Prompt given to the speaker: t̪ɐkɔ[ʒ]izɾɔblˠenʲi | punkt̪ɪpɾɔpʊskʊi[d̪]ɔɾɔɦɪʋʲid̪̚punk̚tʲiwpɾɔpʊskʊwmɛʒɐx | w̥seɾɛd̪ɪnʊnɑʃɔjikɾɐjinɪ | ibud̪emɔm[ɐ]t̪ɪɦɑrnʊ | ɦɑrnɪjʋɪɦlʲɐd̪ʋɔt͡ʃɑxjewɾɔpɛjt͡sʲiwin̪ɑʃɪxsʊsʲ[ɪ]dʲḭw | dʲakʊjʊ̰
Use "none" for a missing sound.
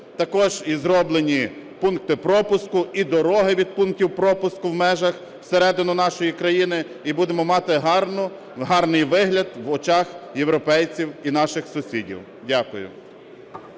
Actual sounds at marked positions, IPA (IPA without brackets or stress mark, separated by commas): ʒ, d̪, ɑ, i